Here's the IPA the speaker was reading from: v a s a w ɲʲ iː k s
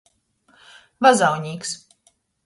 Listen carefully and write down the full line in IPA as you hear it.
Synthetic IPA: v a z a w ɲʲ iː k s